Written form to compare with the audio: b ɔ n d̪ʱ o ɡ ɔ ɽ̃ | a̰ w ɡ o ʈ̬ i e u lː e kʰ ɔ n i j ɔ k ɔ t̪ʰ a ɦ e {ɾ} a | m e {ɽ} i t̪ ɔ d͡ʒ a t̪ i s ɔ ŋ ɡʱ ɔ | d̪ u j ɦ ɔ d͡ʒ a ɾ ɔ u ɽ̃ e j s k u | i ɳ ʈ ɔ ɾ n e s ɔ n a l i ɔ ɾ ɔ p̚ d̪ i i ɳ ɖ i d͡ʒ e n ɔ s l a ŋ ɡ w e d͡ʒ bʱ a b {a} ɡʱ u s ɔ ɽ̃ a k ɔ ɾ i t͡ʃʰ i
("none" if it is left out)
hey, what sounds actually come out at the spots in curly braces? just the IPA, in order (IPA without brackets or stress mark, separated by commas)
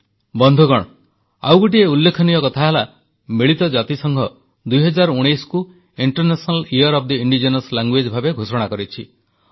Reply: l, ɭ, e